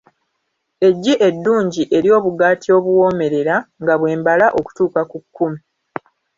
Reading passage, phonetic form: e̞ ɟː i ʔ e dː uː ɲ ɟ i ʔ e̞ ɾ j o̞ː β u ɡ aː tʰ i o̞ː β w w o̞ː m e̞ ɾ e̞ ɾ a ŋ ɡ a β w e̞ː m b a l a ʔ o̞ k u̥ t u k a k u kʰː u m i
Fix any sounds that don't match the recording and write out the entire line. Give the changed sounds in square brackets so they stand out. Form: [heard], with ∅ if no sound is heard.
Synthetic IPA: e̞ ɟː i ʔ e dː uː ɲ ɟ i ʔ e̞ ɾ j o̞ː β u ɡ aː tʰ i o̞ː β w w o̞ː m e̞ ɾ e̞ ɾ a ŋ ɡ a β w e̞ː m b a l a ʔ o̞ k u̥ t [uː] k a k u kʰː u m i